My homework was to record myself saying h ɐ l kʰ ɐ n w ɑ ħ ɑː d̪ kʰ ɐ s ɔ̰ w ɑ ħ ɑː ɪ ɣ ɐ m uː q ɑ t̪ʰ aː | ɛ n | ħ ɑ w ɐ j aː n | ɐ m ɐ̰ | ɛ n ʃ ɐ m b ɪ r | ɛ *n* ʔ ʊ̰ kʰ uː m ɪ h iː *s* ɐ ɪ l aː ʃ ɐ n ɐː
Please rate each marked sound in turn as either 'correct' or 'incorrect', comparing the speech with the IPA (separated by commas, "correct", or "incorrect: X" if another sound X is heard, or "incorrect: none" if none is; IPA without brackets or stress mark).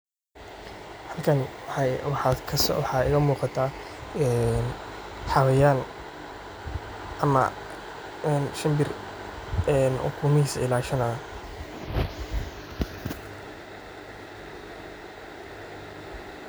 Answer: correct, correct